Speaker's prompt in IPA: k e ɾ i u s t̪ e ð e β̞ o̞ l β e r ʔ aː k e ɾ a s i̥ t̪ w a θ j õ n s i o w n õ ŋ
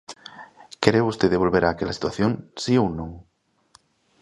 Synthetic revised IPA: k e ɾ e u s t̪ e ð e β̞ o̞ l β e ɾ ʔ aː k e l a s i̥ t̪ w a θ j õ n s i o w n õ ŋ